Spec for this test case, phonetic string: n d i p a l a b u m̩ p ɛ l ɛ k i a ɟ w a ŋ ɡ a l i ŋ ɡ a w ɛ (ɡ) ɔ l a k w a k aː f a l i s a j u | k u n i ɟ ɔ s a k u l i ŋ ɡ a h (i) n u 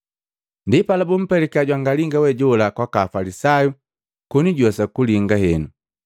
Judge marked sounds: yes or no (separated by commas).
no, no